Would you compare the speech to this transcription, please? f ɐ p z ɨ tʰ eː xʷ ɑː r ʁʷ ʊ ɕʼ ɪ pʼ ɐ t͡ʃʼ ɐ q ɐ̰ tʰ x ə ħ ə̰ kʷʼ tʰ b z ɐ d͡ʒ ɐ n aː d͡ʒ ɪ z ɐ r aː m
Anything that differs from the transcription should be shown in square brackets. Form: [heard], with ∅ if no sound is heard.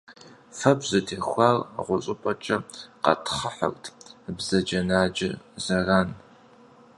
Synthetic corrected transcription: f ɐ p z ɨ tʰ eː xʷ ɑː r ʁʷ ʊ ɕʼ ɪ pʼ ɐ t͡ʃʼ ɐ q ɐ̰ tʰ [χ] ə ħ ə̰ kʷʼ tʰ b z ɐ d͡ʒ ɐ n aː d͡ʒ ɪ z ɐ r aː [n]